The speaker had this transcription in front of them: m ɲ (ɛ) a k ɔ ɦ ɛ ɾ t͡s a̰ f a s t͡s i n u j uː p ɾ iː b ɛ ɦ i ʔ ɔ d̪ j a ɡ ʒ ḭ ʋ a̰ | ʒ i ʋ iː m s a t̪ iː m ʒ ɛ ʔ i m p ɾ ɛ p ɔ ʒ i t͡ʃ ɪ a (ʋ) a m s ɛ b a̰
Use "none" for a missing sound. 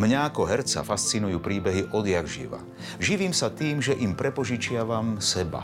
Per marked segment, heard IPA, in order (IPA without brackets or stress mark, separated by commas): a, ʋ